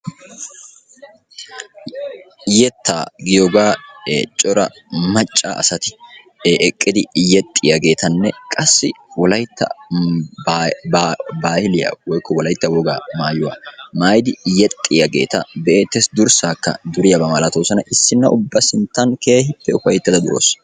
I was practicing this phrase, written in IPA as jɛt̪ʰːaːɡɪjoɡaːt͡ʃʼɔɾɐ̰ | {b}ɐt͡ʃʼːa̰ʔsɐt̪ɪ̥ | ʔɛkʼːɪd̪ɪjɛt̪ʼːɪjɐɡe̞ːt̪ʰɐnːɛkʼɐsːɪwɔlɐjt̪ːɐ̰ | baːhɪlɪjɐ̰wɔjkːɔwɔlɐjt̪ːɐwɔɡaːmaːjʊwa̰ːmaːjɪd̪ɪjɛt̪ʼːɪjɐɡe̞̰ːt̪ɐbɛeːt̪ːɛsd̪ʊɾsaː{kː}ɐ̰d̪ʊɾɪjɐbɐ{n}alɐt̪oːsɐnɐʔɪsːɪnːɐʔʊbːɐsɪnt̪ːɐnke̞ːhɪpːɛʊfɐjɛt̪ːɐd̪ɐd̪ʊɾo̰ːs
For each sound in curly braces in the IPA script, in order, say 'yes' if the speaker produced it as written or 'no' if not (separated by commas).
no, yes, no